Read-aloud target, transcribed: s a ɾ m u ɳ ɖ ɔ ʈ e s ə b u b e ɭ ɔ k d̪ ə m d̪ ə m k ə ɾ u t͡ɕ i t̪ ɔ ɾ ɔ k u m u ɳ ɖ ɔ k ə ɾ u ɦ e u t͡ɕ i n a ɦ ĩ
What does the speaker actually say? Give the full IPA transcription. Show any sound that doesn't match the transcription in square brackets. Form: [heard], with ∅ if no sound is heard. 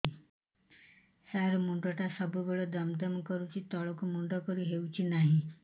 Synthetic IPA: s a ɾ m u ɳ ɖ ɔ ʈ [a] s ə b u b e ɭ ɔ [∅] d̪ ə m d̪ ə m k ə ɾ u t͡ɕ i t̪ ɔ [ɭ] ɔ k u m u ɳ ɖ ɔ k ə ɾ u ɦ e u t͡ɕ i n a ɦ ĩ